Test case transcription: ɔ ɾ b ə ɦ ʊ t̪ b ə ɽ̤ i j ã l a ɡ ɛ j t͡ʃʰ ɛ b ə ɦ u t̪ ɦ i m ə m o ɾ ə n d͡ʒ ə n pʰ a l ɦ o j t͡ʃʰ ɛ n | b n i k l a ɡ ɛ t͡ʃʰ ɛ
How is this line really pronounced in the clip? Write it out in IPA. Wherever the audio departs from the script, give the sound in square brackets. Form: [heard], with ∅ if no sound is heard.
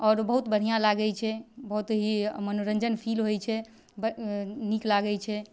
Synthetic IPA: ɔ ɾ b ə ɦ [u] t̪ b ə ɽ̤ i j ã l a ɡ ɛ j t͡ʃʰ ɛ b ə ɦ u t̪ ɦ i m ə [n] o ɾ ə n d͡ʒ ə n pʰ [i] l ɦ o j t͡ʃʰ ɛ [∅] | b n i k l a ɡ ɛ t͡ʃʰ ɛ